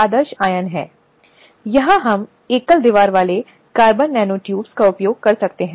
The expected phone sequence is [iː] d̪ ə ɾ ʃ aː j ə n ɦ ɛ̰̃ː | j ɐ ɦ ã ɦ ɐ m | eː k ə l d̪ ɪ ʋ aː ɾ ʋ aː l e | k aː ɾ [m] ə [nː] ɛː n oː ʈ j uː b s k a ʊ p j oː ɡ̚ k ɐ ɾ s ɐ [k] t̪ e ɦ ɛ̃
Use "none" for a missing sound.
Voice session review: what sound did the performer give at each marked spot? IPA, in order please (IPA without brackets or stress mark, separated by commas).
aː, b, nː, k